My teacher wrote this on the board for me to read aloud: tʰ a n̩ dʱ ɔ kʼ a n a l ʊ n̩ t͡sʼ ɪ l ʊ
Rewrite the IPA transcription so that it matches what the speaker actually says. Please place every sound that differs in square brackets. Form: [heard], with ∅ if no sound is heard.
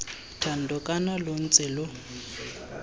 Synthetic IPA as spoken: tʰ a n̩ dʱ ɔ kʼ a n a l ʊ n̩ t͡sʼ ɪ l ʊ